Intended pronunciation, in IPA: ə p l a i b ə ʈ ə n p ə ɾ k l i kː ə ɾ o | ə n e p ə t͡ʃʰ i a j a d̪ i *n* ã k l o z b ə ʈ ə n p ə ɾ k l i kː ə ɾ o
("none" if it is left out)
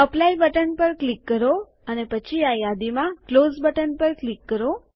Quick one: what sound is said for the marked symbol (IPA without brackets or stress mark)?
m